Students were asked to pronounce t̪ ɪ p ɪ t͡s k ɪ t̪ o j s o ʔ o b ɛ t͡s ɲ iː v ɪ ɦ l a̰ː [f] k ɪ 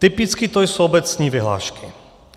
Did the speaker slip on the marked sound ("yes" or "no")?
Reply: yes